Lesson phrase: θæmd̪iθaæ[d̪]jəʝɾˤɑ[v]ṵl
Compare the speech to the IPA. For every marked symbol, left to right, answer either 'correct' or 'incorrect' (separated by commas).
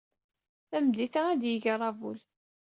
correct, correct